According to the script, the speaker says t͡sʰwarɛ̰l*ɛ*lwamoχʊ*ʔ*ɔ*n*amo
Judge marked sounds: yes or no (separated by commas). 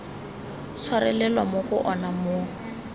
yes, yes, yes